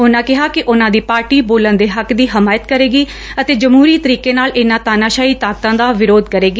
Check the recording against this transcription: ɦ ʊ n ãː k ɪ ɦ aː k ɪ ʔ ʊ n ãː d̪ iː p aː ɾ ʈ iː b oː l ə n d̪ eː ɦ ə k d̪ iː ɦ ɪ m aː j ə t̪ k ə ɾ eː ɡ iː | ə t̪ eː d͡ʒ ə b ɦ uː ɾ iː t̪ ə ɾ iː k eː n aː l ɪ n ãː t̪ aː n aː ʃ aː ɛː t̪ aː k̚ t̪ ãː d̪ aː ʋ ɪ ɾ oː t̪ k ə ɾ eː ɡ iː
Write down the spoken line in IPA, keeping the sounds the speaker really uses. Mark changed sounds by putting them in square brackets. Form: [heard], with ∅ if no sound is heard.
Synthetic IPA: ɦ ʊ n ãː k ɪ ɦ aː k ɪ ʔ ʊ n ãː d̪ iː p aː ɾ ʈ iː b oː l ə n d̪ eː ɦ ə k d̪ iː ɦ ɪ m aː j ə t̪ k ə ɾ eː ɡ iː | ə t̪ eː d͡ʒ ə [m] ɦ uː ɾ iː t̪ ə ɾ iː k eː n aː l ɪ n ãː t̪ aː n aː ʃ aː [iː] t̪ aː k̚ t̪ ãː d̪ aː ʋ ɪ ɾ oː [d̪] k ə ɾ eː ɡ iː